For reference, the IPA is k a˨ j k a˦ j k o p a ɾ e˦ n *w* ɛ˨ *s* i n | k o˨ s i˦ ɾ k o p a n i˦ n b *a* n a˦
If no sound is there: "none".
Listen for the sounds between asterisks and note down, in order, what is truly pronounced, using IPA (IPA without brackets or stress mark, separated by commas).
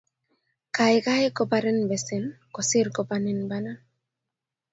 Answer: b, s, a